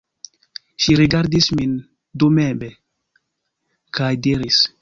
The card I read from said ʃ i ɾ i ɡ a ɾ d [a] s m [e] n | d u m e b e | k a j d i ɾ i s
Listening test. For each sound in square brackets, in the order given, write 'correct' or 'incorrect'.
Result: incorrect: i, incorrect: i

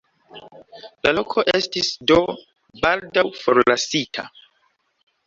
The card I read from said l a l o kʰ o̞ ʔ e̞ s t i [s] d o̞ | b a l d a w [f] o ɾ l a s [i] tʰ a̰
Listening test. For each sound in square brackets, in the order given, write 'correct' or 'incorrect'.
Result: correct, correct, correct

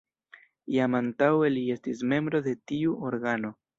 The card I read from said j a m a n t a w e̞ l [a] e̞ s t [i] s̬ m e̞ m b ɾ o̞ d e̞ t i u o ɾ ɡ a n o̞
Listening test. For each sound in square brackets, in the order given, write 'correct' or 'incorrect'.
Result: incorrect: i, correct

